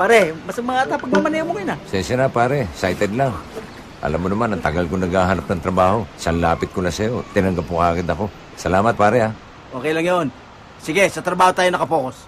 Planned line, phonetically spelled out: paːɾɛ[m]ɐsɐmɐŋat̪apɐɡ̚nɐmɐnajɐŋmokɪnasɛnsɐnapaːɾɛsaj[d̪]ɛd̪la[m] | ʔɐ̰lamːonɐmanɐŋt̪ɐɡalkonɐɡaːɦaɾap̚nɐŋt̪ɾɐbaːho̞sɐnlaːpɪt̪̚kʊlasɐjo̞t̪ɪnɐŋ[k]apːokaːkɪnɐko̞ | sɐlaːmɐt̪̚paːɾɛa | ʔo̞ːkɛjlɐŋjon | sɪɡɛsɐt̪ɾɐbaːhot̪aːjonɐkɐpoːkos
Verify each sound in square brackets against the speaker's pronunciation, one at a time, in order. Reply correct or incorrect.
correct, incorrect, incorrect, incorrect

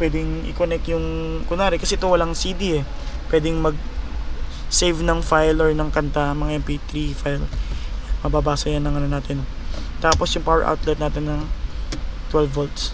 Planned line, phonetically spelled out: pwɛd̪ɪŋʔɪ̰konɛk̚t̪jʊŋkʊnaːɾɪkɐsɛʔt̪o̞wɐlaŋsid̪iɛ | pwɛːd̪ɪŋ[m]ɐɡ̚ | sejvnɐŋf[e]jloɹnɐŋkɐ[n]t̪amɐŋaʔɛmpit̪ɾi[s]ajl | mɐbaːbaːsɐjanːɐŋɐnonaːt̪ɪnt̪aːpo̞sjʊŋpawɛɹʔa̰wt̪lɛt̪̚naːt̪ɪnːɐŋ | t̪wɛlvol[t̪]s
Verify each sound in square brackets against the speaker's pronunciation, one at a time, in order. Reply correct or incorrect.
correct, incorrect, correct, incorrect, correct

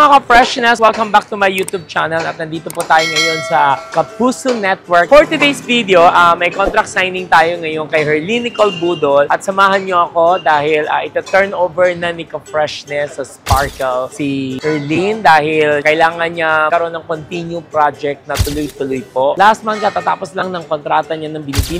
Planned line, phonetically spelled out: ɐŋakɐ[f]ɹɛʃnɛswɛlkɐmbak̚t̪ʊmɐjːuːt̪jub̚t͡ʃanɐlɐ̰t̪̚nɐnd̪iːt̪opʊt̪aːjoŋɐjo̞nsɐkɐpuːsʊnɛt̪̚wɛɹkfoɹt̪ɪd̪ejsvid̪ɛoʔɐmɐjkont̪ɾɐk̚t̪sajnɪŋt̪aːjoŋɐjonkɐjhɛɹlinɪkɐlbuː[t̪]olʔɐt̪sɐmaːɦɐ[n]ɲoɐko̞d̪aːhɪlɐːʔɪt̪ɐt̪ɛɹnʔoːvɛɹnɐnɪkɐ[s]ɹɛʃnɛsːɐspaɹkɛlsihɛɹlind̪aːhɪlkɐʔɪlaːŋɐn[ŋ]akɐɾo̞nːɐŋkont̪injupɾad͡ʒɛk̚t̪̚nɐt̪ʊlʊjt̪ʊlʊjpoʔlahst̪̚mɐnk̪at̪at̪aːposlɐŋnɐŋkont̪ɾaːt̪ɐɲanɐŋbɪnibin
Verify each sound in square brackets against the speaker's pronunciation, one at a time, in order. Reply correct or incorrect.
correct, incorrect, correct, incorrect, incorrect

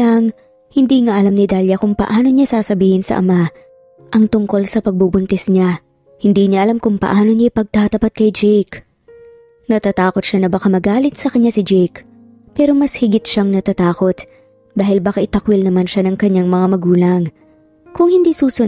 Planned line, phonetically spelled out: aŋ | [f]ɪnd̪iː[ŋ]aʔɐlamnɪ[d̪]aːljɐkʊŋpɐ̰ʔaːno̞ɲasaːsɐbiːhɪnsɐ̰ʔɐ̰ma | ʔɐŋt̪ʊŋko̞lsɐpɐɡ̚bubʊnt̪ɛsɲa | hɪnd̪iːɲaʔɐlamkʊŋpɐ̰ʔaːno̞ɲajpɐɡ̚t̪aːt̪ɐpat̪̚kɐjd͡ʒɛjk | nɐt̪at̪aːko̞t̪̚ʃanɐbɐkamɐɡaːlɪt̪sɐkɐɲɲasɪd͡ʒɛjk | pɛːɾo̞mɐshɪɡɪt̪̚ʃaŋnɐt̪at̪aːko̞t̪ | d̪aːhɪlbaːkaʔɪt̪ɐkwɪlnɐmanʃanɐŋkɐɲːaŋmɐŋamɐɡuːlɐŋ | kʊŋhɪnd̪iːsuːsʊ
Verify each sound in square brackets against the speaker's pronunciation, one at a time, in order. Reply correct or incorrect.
incorrect, correct, correct

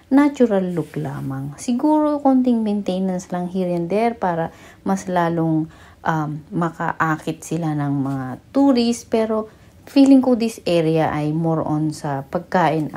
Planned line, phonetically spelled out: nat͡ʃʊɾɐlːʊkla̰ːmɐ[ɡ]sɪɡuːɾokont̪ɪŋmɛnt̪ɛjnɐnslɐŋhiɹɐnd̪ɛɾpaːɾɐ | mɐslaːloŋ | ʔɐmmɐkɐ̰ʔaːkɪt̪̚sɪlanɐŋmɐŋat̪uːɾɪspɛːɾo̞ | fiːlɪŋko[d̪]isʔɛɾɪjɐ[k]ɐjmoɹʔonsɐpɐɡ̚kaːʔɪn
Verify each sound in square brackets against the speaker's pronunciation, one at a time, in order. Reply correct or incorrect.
incorrect, correct, incorrect

